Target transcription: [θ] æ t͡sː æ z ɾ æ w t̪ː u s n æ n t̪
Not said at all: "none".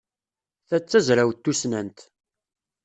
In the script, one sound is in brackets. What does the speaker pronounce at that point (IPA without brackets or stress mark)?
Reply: θ